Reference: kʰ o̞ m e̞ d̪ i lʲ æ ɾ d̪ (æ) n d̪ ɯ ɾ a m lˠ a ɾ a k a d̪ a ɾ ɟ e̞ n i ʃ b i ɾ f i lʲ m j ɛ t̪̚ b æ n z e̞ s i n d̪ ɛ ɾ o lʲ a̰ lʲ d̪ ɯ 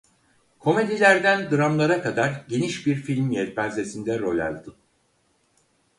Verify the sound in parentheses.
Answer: correct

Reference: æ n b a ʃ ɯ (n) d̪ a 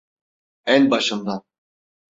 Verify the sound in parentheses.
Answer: incorrect: m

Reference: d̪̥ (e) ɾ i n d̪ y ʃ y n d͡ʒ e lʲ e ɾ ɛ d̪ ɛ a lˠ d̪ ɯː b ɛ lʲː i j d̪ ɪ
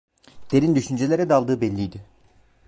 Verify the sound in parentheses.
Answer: correct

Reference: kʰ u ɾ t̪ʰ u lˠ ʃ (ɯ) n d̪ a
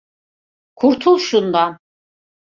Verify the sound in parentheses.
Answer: incorrect: u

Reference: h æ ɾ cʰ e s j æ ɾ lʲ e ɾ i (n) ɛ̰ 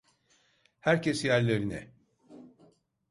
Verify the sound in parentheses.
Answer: correct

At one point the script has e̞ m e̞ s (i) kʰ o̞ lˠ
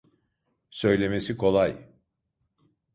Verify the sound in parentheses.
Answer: correct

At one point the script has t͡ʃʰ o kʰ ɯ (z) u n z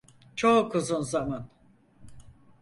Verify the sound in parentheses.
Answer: correct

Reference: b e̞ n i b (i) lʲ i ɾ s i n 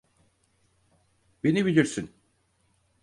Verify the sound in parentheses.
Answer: correct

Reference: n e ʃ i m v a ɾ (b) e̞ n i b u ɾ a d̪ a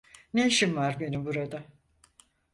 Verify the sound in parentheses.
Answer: correct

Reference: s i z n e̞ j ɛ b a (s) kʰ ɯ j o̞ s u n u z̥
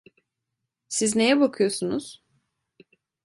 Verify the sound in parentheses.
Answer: incorrect: none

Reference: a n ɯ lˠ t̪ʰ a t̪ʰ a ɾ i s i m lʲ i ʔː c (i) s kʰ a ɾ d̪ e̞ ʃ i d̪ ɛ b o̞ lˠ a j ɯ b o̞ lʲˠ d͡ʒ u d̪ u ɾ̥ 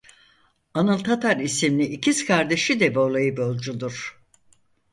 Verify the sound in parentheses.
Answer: correct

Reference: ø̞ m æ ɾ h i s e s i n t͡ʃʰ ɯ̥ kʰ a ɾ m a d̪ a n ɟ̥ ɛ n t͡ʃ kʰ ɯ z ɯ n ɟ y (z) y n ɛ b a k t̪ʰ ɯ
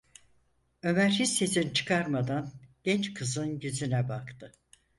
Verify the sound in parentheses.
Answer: correct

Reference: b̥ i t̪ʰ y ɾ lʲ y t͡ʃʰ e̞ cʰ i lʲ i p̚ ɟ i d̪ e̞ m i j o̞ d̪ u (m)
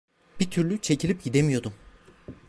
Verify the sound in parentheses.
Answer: correct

